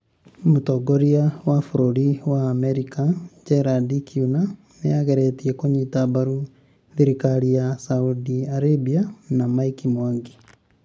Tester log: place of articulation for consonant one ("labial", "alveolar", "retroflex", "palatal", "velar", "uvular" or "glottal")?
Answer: labial